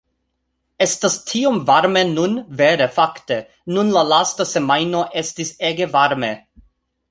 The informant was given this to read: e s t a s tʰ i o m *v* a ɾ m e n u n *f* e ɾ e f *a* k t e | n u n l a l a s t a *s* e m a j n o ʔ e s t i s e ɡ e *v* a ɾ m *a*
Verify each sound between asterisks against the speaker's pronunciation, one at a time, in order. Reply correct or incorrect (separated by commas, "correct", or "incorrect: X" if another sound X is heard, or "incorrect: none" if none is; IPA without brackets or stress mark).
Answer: correct, incorrect: v, correct, correct, correct, incorrect: e